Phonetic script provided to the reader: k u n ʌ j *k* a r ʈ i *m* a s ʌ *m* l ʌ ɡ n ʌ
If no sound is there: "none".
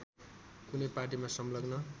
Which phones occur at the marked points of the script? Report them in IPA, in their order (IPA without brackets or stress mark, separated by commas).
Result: p, m, m